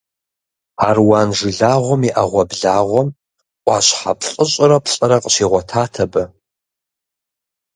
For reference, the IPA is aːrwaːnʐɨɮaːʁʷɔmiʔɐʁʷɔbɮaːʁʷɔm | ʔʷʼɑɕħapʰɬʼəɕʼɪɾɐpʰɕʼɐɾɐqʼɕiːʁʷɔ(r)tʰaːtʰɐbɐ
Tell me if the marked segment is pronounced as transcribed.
no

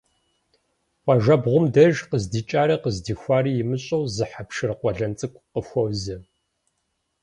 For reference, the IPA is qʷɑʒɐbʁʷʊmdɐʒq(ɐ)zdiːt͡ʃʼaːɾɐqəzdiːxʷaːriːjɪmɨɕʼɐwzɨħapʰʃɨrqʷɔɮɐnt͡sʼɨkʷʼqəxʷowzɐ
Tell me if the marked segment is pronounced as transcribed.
no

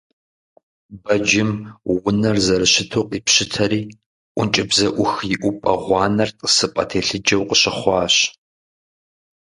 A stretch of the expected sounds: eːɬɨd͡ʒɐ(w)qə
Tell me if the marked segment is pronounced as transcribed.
yes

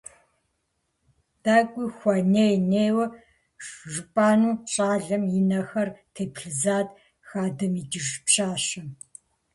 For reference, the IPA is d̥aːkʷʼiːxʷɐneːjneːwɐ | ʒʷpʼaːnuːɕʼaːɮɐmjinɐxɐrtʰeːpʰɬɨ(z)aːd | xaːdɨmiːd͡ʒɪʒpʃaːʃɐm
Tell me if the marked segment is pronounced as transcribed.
yes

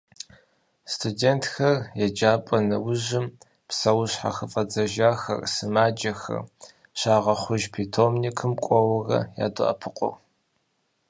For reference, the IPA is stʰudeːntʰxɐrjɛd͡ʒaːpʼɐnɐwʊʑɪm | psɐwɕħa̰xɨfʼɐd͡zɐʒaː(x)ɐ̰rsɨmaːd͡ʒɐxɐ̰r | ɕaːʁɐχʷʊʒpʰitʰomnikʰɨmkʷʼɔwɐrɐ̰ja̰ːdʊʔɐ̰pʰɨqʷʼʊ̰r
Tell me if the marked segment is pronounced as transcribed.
yes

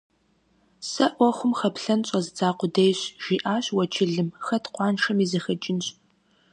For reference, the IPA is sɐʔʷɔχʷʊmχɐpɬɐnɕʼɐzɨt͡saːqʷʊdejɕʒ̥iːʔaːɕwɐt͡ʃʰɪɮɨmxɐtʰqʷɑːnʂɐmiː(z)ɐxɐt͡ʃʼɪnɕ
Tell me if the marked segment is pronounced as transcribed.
yes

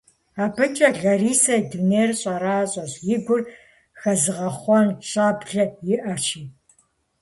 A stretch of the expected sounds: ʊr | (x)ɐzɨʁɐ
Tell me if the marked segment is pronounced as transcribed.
yes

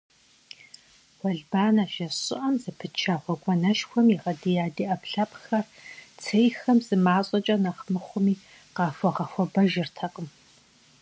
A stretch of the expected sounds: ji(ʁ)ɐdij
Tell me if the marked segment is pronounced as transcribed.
yes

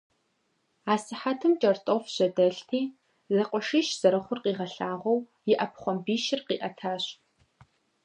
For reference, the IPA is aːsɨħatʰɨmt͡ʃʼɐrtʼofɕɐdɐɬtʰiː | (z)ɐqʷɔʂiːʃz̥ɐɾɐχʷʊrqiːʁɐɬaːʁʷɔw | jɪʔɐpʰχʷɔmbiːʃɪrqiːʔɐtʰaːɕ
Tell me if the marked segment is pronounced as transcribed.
yes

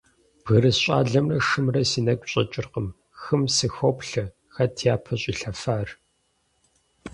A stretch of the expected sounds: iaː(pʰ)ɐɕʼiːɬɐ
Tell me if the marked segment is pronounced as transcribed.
yes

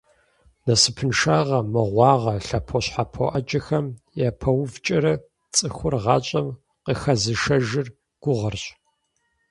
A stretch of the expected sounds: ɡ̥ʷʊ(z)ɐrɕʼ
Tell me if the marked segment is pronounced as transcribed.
no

